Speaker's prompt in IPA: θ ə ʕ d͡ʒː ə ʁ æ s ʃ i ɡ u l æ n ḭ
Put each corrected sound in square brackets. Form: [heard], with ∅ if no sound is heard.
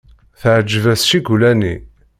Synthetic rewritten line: θ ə ʕ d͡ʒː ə [v] æ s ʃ i ɡ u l æ n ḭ